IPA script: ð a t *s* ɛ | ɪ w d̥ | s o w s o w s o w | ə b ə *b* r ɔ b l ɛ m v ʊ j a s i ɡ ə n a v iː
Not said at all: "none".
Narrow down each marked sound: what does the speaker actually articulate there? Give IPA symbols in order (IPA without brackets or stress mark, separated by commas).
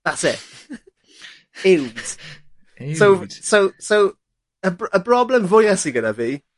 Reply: s, b